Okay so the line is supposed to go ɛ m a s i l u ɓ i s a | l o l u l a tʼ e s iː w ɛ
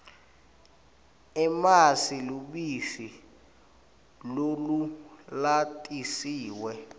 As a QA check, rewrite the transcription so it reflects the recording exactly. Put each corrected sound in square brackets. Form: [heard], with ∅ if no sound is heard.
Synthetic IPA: ɛ m a s i l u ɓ i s [i] | l o l u l a tʼ [i] s iː w ɛ

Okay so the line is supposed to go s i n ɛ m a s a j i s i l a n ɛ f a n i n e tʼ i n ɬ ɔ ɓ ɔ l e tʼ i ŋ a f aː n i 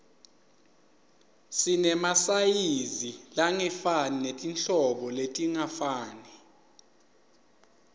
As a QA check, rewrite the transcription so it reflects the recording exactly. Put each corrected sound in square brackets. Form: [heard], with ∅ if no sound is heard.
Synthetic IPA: s i n ɛ m a s a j i [z] i l a [ŋ] ɛ f a n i n e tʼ i n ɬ ɔ ɓ ɔ l e tʼ i ŋ a f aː n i

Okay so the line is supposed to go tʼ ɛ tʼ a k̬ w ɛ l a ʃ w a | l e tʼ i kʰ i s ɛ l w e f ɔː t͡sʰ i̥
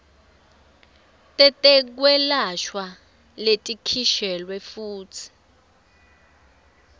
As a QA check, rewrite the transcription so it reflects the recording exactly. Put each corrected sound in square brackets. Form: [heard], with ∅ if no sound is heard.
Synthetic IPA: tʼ ɛ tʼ [ɛ] k̬ w ɛ l a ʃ w a | l e tʼ i kʰ i [ʃ] ɛ l w [ɛ] f [uː] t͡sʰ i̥

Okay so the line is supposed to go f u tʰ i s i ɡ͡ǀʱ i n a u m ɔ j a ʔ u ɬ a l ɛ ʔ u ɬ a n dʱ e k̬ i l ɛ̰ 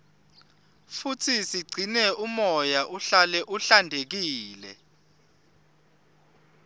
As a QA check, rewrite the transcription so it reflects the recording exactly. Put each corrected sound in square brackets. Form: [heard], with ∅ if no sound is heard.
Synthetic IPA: f u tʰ i s i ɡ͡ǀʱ i n [ɛ] u m ɔ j a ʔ u ɬ a l ɛ ʔ u ɬ a n dʱ e k̬ [iː] l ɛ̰

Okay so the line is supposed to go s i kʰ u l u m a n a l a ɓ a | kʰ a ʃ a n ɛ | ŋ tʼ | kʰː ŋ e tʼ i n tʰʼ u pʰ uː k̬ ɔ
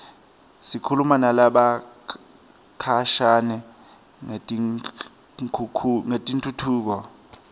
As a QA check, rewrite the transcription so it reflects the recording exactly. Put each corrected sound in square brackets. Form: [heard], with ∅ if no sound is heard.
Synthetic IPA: s i kʰ u l u m a n a l a ɓ a | kʰ a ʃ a n ɛ | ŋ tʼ | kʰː ŋ e tʼ i n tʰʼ u [tʰ] uː k̬ ɔ

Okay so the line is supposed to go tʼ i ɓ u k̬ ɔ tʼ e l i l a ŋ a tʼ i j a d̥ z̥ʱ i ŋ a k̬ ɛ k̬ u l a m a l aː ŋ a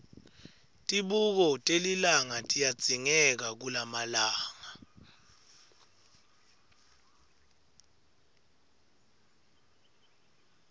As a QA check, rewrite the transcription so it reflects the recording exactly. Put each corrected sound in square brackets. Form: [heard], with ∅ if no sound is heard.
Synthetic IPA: tʼ i ɓ u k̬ ɔ tʼ e l i l a ŋ a tʼ i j a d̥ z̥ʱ i ŋ [ɛ] k̬ [a] k̬ u l a m a l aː ŋ a

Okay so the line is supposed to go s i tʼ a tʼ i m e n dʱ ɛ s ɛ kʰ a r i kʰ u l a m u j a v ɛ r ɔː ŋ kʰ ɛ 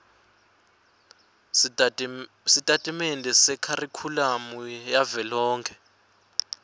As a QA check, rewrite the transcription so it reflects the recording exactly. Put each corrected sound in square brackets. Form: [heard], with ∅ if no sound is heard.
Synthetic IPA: s i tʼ a tʼ i m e n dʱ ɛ s ɛ kʰ a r i kʰ u l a m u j a v ɛ [l] ɔː ŋ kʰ ɛ

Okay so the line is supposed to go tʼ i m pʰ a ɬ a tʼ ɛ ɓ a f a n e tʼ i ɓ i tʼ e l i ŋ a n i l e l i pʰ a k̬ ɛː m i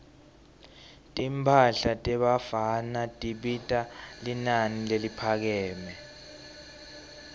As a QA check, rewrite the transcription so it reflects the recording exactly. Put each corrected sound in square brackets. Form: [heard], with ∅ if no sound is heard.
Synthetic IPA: tʼ i m pʰ a ɬ a tʼ ɛ ɓ a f a n [a] tʼ i ɓ i tʼ [a] l i [n] a n i l e l i pʰ a k̬ ɛː m [ɛ]

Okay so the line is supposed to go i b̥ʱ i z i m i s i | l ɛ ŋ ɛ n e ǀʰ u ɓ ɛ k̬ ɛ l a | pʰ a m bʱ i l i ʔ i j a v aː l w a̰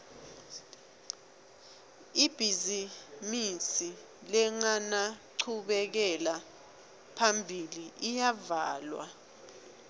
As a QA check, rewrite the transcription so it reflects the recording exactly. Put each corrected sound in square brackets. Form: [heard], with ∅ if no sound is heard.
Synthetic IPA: i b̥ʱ i z i m i s i | l ɛ ŋ [a] n [a] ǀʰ u ɓ ɛ k̬ ɛ l a | pʰ a m bʱ i l i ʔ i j a v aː l w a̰

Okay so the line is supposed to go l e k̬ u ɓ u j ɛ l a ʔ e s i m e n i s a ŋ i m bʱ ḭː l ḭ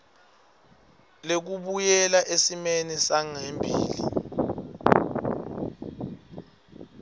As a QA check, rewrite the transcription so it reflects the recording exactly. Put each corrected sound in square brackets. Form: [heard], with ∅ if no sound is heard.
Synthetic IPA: l e k̬ u ɓ u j ɛ l a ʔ e s i m e n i s a ŋ [e] m bʱ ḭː l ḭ

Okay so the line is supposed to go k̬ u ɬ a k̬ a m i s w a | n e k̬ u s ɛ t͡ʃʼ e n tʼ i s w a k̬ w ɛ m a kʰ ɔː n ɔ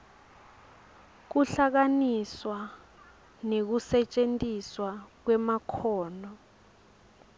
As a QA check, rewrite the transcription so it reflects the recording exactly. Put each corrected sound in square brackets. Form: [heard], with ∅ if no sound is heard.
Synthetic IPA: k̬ u ɬ a k̬ a [n] i s w a | n e k̬ u s ɛ t͡ʃʼ e n tʼ i s w a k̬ w ɛ m a kʰ ɔː n ɔ

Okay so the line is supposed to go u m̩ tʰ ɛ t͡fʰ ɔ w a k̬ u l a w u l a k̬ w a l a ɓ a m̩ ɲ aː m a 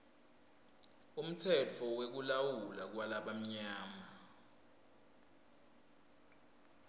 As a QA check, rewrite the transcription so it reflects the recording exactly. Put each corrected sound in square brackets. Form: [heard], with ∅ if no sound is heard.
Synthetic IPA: u m̩ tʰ ɛ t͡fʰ ɔ w [e] k̬ u l a w u l a k̬ w a l a ɓ a m̩ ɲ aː m a

